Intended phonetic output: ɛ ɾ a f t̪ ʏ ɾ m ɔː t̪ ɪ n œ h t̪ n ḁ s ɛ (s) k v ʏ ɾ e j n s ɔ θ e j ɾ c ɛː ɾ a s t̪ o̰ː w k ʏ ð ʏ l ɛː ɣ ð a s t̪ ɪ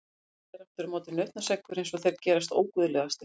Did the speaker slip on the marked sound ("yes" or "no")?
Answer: yes